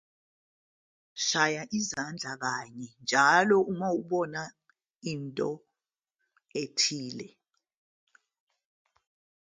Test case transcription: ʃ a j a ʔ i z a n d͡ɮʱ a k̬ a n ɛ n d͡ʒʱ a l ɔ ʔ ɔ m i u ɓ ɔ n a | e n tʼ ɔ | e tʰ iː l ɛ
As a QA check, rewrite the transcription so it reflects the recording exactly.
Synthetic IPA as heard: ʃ a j a ʔ i z a n d͡ɮʱ a k̬ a ɲ ɛ n d͡ʒʱ a l ɔ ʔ u m a u ɓ ɔ n a | i n tʼ ɔ | e tʰ iː l ɛ